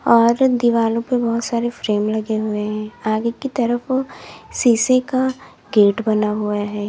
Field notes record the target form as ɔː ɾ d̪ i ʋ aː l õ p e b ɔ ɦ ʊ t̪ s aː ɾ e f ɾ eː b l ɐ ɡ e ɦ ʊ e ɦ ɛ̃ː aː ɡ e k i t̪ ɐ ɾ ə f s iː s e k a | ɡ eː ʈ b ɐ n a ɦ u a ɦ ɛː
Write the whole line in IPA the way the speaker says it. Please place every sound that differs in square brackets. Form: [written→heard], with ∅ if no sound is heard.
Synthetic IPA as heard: ɔː ɾ d̪ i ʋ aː l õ p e b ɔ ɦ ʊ t̪ s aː ɾ e f ɾ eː [b→m] l ɐ ɡ e ɦ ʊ e ɦ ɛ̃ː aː ɡ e k i t̪ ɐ ɾ ə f s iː s e k a | ɡ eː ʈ b ɐ n a ɦ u a ɦ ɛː